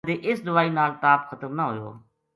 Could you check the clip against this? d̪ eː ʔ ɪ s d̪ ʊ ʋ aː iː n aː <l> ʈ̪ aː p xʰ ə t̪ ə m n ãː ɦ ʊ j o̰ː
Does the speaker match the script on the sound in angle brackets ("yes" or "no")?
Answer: yes